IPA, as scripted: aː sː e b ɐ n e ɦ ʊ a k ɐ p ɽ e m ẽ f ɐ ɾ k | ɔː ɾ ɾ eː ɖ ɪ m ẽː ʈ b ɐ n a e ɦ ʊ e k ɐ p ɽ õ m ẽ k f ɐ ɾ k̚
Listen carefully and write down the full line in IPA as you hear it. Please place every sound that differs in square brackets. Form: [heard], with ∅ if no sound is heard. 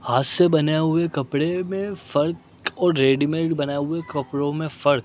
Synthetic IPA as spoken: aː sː e b ɐ n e ɦ ʊ [e] k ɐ p ɽ e m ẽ f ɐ ɾ k | ɔː ɾ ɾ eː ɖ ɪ m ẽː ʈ b ɐ n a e ɦ ʊ e k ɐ p ɽ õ m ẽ [∅] f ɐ ɾ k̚